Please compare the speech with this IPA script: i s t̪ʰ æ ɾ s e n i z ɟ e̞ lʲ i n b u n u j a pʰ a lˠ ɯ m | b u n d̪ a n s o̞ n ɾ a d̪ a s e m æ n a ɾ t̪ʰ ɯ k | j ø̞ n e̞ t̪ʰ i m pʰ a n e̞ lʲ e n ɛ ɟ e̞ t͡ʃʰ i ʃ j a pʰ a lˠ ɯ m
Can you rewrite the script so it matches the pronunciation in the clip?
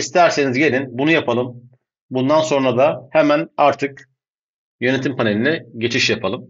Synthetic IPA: i s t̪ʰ æ ɾ s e n i z ɟ e̞ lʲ i n b u n u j a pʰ a lˠ ɯ m | b u n d̪ a n s o̞ n ɾ a d̪ a h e m æ n a ɾ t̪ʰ ɯ k | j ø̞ n e̞ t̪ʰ i m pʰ a n e̞ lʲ i n ɛ ɟ e̞ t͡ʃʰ i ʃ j a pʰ a lˠ ɯ m